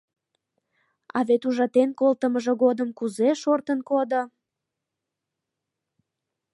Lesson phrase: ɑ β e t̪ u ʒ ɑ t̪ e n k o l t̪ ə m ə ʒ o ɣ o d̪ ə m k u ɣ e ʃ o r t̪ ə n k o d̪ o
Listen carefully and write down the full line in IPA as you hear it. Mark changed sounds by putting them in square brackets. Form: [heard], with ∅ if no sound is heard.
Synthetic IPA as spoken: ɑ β e t̪ u ʒ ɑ t̪ e n k o l t̪ ə m ə ʒ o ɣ o d̪ ə m k u [z] e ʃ o r t̪ ə n k o d̪ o